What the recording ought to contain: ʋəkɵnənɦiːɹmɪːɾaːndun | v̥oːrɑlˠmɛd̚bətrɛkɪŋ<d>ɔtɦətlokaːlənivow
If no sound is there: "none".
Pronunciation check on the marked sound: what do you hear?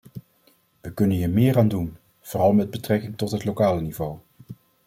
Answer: t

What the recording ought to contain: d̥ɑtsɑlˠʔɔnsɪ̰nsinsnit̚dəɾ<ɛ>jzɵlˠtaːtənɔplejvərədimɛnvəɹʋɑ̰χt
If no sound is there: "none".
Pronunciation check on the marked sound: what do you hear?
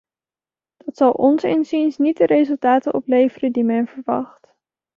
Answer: e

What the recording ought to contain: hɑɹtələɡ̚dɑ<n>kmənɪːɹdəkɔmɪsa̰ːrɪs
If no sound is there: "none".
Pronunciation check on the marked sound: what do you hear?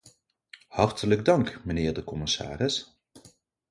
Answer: ŋ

